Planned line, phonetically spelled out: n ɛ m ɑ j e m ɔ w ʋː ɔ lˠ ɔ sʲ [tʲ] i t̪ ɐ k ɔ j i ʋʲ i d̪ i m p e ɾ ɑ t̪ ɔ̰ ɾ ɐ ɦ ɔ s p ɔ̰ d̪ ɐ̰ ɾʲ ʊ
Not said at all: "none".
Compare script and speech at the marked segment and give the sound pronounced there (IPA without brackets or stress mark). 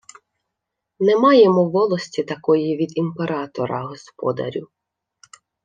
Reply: tʲ